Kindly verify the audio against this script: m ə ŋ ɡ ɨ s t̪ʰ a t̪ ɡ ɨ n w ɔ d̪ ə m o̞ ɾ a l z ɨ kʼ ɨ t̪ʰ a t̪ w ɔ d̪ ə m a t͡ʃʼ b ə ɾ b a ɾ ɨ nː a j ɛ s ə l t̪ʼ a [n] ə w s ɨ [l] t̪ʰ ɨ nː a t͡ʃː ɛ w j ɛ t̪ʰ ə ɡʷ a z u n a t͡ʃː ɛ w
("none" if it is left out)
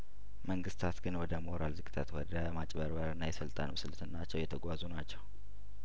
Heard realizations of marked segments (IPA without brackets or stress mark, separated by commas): n, l